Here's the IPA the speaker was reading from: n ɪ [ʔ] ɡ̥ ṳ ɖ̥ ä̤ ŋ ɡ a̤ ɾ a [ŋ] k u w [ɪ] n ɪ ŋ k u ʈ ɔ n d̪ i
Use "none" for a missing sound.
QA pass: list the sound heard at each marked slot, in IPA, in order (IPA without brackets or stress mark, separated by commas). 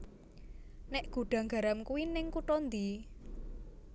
ʔ, m, i